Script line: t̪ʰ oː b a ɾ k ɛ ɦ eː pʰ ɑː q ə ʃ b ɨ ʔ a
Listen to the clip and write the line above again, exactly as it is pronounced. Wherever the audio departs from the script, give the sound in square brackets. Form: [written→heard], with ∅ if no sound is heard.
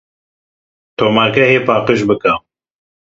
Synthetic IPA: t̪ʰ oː [b→m] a ɾ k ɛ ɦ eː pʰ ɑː q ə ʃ b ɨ [ʔ→k] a